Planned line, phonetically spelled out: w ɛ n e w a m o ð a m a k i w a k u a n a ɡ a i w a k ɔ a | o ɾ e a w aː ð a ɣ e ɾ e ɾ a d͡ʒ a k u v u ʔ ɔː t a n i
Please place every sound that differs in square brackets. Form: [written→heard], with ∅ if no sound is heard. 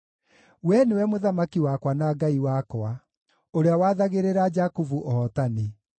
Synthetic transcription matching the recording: w ɛ n e w [a→ɛ] m o ð a m a k i w a k [u→w] a n a ɡ a i w a k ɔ a | o ɾ e a w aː ð a ɣ e ɾ e ɾ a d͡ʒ a k u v u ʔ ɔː t a n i